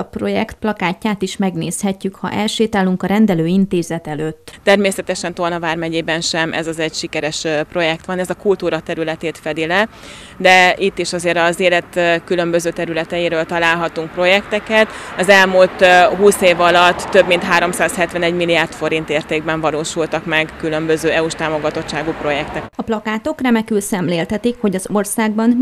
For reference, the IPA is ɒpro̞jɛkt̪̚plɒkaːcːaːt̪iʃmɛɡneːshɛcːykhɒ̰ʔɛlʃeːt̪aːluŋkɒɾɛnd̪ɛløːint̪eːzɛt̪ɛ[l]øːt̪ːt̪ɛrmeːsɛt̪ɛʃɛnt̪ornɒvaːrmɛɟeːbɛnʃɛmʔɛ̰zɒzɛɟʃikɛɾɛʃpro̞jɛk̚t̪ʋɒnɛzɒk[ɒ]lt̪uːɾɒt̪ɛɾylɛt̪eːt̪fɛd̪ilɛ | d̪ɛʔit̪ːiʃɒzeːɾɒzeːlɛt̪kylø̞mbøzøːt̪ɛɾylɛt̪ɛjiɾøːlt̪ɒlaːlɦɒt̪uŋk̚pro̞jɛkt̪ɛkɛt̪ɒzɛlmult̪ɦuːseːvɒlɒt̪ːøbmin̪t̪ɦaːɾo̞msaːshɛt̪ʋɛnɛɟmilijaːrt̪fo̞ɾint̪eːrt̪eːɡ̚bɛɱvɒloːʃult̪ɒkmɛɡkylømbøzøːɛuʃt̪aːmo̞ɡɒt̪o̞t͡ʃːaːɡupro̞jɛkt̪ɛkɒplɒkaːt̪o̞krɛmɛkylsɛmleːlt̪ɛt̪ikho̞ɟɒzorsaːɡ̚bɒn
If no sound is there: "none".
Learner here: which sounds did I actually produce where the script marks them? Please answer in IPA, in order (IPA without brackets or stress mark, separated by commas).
l, u